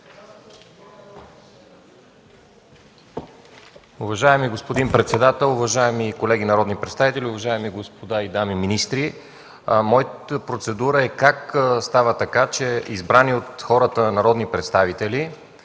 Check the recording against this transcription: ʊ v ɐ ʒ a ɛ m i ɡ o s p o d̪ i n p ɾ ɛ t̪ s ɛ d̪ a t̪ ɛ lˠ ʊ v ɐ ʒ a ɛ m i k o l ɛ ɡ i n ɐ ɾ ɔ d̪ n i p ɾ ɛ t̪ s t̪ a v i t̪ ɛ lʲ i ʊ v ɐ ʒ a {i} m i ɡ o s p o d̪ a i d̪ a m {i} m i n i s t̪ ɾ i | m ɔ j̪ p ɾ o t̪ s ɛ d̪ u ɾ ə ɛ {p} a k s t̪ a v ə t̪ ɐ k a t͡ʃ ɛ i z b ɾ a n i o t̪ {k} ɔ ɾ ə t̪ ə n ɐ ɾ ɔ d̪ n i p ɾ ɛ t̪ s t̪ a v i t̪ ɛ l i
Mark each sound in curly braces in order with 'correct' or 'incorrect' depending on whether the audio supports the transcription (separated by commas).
incorrect, correct, incorrect, incorrect